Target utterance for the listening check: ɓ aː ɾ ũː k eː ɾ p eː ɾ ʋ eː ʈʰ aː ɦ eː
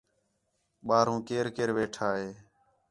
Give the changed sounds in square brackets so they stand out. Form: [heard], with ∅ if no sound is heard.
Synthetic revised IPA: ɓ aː ɾ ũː k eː ɾ [k] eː ɾ ʋ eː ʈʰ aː ɦ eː